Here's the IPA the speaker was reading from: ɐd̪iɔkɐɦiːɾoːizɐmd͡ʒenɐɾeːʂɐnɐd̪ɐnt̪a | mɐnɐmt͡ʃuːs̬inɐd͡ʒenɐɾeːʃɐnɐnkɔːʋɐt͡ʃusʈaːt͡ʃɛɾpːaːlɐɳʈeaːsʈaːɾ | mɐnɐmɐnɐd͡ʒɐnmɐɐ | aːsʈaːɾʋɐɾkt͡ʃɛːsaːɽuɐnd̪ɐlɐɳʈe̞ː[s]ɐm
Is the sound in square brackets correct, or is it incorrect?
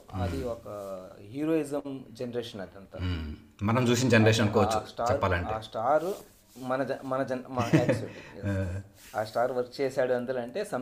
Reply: correct